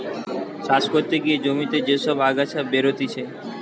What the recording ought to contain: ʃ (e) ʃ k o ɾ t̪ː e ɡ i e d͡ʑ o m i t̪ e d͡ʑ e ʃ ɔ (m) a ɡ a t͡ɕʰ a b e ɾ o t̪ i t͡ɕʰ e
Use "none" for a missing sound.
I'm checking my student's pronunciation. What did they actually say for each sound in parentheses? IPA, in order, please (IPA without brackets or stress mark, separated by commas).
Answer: a, b